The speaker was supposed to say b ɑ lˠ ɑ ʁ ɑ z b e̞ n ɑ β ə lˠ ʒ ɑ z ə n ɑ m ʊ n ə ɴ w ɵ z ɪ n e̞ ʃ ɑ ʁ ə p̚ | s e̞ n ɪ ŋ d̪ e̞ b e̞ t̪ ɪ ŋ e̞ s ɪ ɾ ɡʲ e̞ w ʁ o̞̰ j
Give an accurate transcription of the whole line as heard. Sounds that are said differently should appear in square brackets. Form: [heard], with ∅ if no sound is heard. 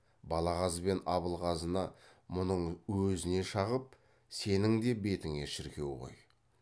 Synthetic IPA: b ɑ lˠ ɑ ʁ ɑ z b e̞ n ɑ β ə lˠ [ʁ] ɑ z ə n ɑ m ʊ n ə ɴ w ɵ z ɪ n e̞ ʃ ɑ ʁ ə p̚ | s e̞ n ɪ ŋ d̪ e̞ b e̞ t̪ ɪ ŋ e̞ [ʃ] ɪ ɾ [kʲ] e̞ w ʁ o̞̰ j